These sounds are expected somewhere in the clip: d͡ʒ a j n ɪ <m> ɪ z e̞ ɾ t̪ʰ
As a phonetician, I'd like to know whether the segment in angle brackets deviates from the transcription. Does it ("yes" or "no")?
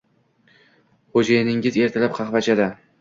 yes